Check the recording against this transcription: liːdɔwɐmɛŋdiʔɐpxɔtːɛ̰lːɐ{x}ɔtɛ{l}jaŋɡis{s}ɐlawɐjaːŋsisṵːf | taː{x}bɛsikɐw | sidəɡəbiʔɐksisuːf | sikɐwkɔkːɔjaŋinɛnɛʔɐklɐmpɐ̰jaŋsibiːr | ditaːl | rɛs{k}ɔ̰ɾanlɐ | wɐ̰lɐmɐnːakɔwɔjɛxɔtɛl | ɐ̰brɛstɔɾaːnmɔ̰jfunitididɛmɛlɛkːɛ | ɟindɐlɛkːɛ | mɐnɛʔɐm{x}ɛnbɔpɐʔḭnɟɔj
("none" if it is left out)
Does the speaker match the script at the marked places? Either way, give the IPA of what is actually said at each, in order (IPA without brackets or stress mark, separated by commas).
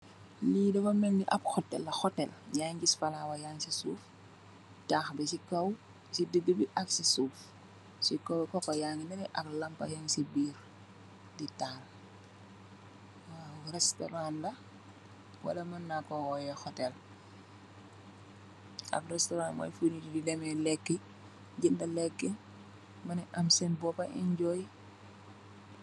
x, l, f, x, t, s